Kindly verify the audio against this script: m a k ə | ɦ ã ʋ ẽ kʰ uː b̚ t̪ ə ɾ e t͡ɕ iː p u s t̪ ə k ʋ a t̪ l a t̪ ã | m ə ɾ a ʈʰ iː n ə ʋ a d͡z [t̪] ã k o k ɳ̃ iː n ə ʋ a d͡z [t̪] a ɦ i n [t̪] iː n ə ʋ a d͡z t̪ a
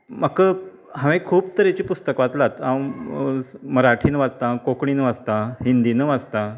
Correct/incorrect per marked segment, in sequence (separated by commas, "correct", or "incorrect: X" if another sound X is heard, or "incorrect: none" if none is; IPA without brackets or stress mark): correct, correct, incorrect: d̪